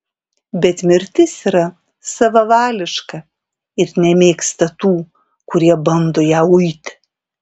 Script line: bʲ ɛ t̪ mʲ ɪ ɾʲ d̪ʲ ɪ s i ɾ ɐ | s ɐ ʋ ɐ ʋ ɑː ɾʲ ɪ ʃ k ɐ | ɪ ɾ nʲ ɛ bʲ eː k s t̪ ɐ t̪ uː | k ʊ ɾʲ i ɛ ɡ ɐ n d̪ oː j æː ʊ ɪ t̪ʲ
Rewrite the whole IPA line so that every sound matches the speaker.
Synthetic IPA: bʲ ɛ t̪ mʲ ɪ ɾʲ t̪ʲ ɪ s i ɾ ɐ | s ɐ ʋ ɐ ʋ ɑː lʲ ɪ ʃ k ɐ | ɪ ɾ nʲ ɛ mʲ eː k s t̪ ɐ t̪ uː | k ʊ ɾʲ i ɛ b ɐ n d̪ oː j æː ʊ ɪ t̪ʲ